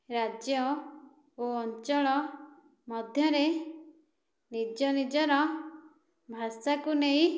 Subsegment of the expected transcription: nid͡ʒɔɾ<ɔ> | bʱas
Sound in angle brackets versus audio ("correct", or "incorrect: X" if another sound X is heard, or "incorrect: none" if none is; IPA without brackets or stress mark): correct